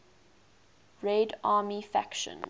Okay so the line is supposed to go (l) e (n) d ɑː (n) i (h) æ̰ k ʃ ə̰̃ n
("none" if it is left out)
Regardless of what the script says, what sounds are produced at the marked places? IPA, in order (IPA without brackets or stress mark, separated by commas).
ɹ, none, m, f